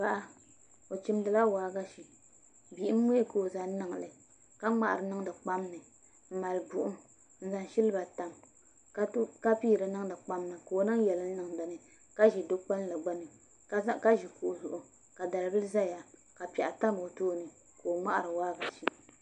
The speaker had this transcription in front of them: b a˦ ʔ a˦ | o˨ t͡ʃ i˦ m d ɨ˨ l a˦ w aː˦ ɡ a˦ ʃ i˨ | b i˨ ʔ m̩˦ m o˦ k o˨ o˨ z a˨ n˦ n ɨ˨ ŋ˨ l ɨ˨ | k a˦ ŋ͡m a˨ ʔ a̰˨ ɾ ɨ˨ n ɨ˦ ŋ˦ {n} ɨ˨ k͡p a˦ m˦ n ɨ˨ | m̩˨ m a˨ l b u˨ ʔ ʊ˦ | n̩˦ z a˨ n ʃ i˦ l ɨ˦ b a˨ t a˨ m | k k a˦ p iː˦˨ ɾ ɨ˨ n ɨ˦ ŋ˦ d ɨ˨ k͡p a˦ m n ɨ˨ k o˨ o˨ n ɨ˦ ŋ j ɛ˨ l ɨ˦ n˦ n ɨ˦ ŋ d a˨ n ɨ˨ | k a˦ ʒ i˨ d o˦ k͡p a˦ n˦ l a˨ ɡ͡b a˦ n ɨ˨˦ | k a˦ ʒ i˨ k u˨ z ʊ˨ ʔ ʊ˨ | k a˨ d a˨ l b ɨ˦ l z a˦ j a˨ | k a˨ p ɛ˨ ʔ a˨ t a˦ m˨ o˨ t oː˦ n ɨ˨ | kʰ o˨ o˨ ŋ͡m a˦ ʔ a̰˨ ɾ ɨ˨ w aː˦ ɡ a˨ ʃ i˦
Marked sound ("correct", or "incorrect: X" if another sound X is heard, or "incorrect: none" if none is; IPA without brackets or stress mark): incorrect: d